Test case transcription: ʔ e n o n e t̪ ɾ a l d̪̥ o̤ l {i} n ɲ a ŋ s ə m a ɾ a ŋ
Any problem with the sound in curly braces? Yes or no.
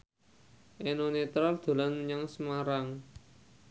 yes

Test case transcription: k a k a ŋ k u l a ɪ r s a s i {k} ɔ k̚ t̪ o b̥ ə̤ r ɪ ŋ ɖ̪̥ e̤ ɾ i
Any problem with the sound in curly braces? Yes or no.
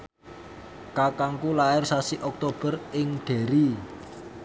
yes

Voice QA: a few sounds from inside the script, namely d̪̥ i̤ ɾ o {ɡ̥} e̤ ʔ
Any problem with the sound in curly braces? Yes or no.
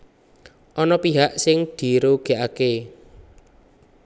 no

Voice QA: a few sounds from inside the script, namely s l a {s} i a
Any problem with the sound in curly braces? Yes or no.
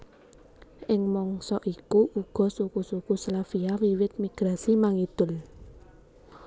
yes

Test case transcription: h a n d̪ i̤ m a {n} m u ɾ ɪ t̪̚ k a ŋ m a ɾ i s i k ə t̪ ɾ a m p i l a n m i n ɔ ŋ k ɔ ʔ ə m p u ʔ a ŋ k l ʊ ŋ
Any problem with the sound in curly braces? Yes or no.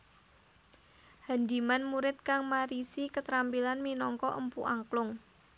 no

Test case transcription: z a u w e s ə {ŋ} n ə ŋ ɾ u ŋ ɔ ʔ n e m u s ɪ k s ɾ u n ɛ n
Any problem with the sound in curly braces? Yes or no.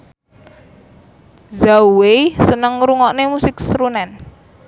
yes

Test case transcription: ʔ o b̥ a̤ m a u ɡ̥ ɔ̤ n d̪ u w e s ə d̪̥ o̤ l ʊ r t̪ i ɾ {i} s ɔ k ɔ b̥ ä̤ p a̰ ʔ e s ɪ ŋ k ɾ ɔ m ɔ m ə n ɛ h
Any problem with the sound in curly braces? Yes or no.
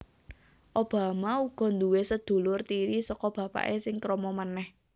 no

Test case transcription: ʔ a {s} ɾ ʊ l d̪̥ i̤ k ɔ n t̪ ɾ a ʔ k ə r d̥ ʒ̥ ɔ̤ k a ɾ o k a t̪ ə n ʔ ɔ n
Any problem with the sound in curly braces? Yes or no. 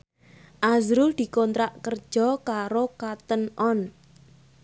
yes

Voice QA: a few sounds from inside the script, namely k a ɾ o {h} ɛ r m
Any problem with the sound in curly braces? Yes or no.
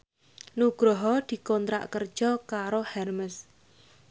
no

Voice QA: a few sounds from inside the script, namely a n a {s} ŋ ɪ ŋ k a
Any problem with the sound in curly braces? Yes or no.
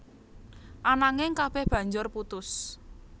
yes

